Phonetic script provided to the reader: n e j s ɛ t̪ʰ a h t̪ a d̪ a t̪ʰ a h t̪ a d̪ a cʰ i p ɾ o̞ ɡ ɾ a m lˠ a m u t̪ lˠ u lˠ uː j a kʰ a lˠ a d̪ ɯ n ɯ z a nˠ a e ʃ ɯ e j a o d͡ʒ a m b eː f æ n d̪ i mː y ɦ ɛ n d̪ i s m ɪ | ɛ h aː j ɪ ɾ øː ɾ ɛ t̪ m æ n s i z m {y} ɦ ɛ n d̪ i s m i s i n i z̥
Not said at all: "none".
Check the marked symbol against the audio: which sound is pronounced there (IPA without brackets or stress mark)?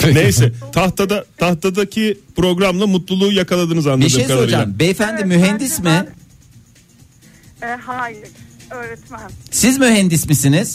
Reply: y